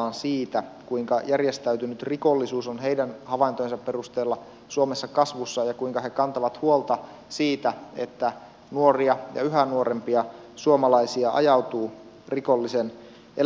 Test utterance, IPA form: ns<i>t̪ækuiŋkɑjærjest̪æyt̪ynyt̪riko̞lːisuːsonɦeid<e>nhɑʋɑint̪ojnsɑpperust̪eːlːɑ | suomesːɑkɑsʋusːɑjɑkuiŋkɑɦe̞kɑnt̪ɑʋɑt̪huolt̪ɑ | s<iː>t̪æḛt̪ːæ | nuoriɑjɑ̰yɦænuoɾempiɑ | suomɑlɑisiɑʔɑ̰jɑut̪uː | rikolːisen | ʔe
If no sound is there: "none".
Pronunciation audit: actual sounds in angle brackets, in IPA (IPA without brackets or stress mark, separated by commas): iː, æ, iː